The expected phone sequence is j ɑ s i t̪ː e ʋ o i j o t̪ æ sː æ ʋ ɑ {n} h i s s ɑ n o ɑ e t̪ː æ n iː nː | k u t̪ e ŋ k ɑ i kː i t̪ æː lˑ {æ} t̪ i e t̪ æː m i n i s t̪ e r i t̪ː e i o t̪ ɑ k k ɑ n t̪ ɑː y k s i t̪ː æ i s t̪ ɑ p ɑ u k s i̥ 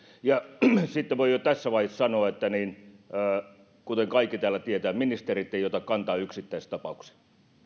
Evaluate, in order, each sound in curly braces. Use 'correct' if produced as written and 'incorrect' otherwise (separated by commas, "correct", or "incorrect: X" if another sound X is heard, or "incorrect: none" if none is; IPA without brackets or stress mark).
incorrect: none, correct